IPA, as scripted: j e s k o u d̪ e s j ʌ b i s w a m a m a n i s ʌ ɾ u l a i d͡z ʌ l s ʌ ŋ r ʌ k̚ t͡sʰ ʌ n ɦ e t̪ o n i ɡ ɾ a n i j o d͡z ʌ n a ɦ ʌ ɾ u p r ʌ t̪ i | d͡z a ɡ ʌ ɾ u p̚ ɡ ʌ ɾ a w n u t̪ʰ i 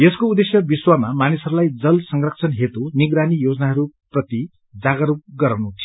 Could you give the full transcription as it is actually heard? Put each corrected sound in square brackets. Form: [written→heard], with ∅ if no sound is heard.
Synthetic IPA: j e s k o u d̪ e s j ʌ b i s w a m a m a n i s ʌ ɾ u l a [i→j] d͡z ʌ l s ʌ ŋ r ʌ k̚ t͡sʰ ʌ n ɦ e t̪ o n i ɡ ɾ a n i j o d͡z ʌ n a ɦ ʌ ɾ u p r ʌ t̪ i | d͡z a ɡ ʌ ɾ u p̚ ɡ ʌ ɾ a w n u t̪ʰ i

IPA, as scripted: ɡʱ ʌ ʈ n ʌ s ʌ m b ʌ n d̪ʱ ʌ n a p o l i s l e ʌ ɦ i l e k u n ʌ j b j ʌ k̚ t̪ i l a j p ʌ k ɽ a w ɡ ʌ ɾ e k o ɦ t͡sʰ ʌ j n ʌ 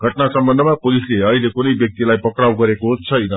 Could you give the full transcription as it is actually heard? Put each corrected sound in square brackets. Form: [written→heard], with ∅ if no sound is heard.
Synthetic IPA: ɡʱ ʌ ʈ n [ʌ→a] s ʌ m b ʌ n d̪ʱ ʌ [n→m] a p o l i s l e ʌ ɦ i l e k u n ʌ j b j ʌ k̚ t̪ i l a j p ʌ k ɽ a w ɡ ʌ ɾ e k o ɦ t͡sʰ ʌ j n ʌ

